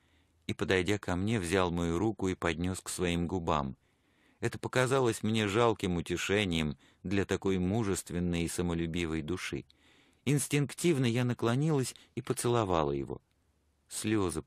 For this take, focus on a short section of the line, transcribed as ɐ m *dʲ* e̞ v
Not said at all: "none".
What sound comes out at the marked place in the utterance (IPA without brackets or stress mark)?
nʲ